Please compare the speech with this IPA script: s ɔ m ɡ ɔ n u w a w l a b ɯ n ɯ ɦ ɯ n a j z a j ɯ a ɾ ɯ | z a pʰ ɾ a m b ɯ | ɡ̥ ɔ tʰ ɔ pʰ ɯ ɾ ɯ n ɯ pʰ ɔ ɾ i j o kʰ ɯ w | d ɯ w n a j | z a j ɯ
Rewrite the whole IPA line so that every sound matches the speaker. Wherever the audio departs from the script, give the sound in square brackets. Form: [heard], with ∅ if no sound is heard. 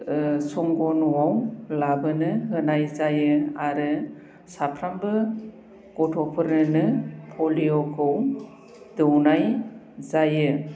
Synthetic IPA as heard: s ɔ [ŋ] ɡ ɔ n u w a w l a b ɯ n ɯ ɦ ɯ n a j z a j ɯ a ɾ ɯ | [s] a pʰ ɾ a m b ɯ | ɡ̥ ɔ tʰ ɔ pʰ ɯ ɾ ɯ n ɯ pʰ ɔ [l] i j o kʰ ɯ w | d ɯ w n a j | z a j ɯ